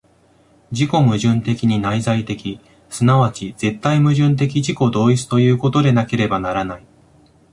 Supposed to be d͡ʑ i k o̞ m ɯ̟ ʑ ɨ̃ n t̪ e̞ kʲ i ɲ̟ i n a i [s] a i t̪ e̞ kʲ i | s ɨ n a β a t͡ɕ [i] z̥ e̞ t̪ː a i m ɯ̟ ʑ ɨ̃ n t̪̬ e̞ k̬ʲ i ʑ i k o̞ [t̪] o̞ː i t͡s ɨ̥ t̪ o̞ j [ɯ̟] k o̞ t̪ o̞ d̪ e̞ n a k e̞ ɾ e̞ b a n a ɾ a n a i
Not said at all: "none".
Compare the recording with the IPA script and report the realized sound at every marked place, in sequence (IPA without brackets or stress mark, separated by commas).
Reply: z, i, d̪, ɯ̟ː